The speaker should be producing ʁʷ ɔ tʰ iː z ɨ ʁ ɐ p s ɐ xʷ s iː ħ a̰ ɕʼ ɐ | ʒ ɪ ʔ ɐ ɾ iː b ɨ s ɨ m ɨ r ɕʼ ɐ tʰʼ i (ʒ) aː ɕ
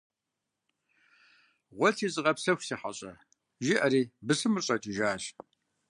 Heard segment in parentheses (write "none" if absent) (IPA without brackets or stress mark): ʒ